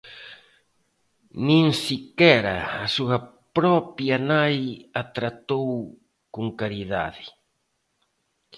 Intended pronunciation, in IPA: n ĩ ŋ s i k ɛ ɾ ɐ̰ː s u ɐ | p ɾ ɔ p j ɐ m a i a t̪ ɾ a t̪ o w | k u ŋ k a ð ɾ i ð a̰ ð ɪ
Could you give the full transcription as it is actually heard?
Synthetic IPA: n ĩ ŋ s i k ɛ ɾ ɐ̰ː s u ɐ | p ɾ ɔ p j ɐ n a j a t̪ ɾ a t̪ o w | k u ŋ k a ɾ i ð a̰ ð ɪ